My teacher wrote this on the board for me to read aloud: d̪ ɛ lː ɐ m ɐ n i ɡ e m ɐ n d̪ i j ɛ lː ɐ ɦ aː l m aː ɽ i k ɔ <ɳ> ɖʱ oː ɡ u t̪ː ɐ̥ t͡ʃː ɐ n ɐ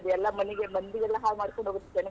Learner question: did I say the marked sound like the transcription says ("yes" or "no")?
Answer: yes